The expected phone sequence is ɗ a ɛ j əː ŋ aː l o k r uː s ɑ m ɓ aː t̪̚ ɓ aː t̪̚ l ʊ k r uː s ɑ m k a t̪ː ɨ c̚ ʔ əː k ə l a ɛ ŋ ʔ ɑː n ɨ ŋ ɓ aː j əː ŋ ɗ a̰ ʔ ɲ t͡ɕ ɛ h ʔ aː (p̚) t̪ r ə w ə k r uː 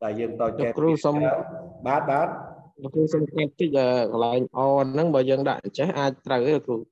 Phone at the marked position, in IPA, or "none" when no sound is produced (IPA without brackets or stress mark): c̚